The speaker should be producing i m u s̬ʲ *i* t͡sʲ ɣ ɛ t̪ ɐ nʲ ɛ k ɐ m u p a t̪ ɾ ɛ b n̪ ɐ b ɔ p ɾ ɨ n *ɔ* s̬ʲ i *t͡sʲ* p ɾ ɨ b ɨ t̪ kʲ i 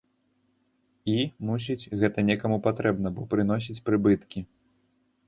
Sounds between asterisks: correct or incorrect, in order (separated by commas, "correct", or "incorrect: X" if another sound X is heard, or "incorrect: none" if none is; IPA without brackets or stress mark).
correct, correct, correct